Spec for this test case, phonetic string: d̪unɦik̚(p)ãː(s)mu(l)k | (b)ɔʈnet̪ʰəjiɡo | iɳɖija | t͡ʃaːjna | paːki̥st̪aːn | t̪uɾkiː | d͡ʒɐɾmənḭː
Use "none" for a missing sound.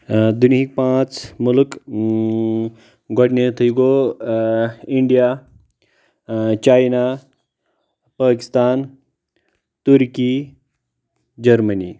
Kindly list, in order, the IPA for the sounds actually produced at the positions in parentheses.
p, t͡s, l, ɡ

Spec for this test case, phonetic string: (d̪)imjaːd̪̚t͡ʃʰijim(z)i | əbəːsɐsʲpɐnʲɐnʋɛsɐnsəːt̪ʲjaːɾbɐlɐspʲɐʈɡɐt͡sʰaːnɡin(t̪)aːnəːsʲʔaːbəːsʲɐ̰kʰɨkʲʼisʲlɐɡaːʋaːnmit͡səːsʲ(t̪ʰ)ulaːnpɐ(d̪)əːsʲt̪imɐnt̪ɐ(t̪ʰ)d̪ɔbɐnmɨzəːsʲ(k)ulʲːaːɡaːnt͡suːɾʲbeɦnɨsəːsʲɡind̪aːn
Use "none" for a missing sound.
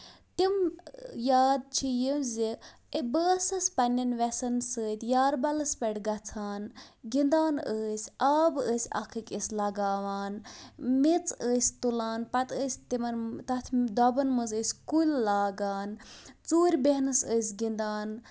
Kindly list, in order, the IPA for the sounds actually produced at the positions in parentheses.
t̪, z, d̪, t̪, t̪, t̪ʰ, k

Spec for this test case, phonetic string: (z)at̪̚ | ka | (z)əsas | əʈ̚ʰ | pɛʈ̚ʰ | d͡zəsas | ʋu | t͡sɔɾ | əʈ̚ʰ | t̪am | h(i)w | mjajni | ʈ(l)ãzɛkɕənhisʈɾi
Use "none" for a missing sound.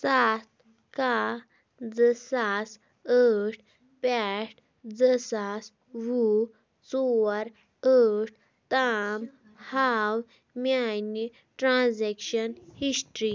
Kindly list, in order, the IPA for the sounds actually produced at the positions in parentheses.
s, d͡z, a, ɾ

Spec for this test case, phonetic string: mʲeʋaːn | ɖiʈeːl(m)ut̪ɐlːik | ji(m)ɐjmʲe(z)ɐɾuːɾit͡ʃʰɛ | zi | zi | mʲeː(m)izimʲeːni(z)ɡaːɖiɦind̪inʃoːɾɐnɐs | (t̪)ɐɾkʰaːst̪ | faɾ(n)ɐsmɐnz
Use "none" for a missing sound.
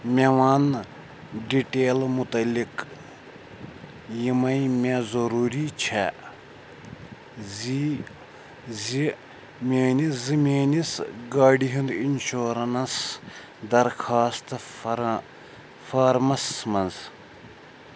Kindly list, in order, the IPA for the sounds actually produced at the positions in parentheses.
m, m, z, n, s, d̪, m

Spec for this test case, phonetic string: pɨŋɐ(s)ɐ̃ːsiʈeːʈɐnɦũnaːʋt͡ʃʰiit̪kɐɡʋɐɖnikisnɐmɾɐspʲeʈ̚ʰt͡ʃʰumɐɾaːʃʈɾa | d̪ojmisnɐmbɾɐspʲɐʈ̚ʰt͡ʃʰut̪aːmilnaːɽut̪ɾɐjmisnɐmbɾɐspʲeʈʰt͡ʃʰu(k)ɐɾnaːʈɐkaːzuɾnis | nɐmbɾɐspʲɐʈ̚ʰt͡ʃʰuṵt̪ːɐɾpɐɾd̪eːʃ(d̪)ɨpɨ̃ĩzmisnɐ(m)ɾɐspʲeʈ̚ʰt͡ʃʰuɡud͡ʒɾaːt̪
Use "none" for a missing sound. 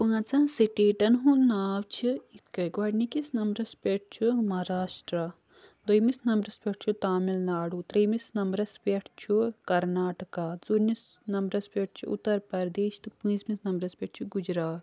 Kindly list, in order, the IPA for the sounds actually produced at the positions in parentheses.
t͡s, k, t̪, m

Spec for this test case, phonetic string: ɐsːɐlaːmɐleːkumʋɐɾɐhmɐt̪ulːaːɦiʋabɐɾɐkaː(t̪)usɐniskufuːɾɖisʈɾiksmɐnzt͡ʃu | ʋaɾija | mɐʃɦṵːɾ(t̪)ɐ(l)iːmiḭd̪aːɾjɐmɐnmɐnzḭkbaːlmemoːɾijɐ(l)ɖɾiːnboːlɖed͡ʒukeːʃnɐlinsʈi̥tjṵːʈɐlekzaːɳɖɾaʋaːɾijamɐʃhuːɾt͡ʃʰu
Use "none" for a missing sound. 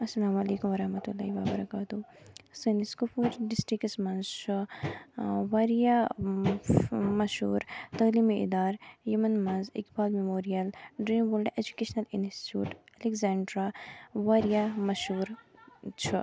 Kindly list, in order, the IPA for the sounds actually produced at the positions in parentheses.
t̪, t̪, l, l

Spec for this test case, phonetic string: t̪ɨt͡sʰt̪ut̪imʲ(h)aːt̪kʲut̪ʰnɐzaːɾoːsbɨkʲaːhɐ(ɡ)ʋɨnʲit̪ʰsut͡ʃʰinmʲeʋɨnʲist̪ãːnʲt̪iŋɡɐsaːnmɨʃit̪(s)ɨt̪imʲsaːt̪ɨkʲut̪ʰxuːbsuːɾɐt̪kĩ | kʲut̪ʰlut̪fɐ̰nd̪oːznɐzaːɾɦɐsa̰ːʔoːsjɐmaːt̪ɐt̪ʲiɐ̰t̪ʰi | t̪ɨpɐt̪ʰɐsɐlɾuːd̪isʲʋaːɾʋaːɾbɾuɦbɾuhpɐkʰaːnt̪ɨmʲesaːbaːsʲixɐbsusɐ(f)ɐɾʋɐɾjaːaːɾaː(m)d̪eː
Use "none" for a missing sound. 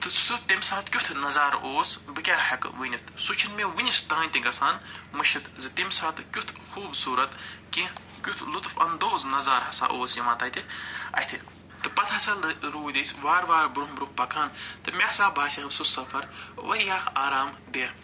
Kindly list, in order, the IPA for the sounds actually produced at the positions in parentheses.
s, k, z, f, m

